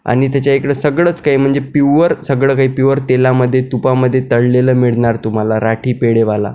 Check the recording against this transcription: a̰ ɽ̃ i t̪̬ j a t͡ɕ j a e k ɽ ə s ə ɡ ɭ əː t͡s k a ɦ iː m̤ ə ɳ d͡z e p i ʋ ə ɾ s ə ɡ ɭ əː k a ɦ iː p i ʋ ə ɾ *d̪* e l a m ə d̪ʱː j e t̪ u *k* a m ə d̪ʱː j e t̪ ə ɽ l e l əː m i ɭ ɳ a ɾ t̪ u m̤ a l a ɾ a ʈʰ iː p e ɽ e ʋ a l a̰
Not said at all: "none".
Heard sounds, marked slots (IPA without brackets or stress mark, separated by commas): t̪, p